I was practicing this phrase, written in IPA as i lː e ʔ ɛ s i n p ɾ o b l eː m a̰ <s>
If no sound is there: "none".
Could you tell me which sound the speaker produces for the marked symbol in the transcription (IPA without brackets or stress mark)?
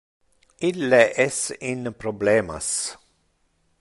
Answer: s